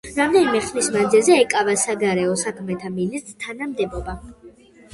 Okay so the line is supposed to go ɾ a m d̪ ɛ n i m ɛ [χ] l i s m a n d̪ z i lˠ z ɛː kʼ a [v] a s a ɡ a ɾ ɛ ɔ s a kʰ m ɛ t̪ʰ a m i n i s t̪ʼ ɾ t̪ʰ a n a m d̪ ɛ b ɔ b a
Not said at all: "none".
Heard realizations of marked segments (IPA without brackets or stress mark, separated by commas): χ, v